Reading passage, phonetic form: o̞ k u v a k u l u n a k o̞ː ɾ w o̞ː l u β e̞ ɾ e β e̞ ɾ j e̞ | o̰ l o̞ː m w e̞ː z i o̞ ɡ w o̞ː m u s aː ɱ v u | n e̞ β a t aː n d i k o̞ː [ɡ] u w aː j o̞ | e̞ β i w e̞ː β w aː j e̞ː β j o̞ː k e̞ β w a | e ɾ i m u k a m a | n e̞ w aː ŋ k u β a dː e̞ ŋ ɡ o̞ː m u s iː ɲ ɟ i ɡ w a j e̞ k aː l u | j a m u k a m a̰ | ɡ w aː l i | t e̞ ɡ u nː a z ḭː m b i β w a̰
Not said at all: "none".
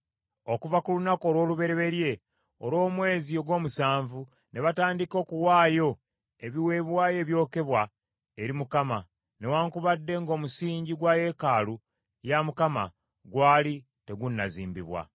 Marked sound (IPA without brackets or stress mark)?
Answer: k